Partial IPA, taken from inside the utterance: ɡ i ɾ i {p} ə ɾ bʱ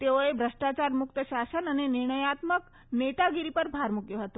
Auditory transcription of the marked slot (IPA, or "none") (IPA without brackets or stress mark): p